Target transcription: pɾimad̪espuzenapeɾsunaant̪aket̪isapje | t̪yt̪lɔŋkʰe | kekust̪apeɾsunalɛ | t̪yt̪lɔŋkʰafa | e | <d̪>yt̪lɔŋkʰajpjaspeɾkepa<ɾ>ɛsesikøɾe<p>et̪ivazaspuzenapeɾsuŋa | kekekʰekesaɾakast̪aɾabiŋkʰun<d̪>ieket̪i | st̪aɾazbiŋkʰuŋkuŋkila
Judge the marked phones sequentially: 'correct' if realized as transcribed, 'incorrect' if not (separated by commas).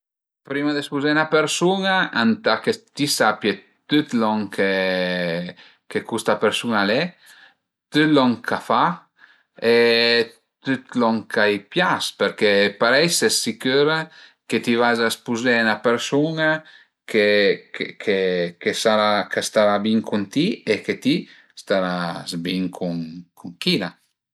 incorrect, correct, incorrect, incorrect